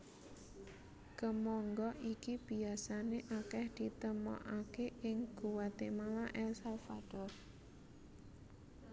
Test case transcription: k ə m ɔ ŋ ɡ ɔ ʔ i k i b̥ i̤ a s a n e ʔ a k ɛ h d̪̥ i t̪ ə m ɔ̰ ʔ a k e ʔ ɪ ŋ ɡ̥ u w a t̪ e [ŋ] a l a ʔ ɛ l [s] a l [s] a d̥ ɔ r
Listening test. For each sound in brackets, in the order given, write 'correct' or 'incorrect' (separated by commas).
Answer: incorrect, correct, incorrect